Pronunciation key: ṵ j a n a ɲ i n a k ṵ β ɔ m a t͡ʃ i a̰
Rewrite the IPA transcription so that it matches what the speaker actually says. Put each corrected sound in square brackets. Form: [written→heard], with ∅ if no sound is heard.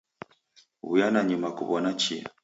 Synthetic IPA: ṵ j a n a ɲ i [n→m] a k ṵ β ɔ [m→n] a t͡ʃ i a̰